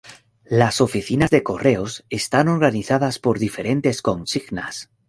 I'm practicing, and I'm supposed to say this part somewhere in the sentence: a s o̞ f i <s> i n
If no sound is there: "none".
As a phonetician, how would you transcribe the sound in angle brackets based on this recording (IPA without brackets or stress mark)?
θ